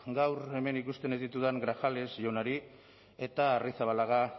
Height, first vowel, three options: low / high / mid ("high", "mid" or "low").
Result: low